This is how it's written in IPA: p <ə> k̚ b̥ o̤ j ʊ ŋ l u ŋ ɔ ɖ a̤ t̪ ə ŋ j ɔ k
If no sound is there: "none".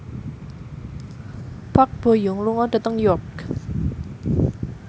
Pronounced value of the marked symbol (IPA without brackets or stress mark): a